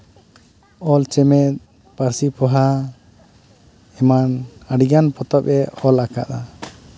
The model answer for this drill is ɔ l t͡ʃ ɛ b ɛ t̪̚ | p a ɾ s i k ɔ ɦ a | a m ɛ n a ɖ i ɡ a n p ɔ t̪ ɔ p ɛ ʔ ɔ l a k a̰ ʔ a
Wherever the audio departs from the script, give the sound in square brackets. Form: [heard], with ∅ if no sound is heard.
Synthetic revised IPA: ɔ l t͡ʃ ɛ [m] ɛ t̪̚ | p a ɾ s i [p] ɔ ɦ a | [ɛ] m [a] n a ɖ i ɡ a n p ɔ t̪ ɔ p ɛ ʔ ɔ l a k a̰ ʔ a